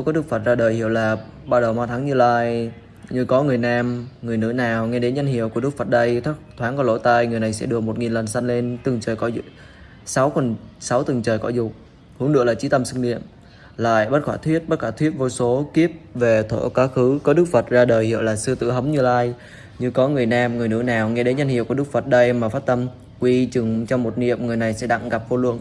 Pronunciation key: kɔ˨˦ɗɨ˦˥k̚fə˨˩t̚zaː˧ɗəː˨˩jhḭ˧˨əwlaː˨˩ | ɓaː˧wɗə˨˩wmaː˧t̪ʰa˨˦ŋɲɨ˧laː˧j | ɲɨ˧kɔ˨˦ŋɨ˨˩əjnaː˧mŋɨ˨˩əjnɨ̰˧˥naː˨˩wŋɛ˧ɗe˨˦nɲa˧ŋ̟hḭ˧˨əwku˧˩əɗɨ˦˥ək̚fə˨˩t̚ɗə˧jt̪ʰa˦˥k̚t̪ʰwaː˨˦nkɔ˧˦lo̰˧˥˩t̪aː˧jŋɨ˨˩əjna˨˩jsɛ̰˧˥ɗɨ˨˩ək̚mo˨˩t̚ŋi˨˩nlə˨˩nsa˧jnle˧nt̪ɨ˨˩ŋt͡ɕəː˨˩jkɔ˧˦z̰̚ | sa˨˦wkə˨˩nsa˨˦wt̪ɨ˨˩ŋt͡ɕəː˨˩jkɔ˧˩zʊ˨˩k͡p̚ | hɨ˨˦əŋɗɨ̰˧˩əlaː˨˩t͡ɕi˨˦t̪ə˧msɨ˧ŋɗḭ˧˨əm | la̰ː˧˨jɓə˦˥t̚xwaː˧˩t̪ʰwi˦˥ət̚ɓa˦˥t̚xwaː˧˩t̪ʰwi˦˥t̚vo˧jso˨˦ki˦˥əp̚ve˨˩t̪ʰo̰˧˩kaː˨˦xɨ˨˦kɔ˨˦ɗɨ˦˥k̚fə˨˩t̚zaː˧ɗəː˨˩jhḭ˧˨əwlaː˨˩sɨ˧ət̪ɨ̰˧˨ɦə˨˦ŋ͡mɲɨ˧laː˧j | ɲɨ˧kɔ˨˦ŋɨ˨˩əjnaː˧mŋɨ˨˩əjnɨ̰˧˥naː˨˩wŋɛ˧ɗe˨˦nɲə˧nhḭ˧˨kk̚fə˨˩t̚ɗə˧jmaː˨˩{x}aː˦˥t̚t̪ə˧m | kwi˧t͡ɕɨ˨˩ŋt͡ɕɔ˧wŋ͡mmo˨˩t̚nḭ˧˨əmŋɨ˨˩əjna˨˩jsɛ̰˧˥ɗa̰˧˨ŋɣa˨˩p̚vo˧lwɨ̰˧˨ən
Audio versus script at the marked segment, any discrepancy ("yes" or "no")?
yes